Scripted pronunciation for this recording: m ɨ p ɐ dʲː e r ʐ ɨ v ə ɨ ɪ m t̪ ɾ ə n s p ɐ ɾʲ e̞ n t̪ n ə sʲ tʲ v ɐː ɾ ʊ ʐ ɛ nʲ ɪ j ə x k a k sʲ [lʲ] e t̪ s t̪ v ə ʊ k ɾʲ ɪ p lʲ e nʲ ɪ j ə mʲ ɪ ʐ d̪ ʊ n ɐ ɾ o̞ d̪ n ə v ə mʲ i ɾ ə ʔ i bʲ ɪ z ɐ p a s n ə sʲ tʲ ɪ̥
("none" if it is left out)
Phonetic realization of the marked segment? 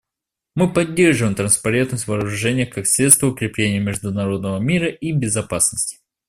ɾʲ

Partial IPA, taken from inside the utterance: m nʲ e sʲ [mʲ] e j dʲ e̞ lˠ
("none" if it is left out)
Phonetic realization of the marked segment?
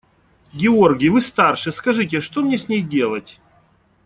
nʲ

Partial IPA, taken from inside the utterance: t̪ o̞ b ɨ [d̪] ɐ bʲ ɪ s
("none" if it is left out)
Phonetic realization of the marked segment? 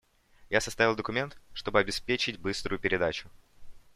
none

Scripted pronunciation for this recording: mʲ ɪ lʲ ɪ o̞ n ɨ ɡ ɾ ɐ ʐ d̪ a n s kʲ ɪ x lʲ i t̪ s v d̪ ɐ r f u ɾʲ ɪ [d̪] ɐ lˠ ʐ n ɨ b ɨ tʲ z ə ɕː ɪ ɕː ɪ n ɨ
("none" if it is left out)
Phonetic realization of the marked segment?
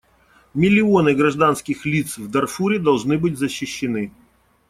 d̪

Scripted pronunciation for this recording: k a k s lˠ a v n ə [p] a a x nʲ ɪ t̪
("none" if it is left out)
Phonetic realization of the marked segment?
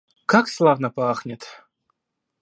p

